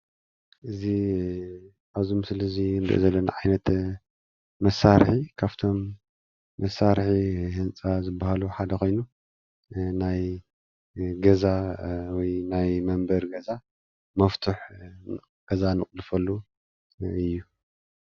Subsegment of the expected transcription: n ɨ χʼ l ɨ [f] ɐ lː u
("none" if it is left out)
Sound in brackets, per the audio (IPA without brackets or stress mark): f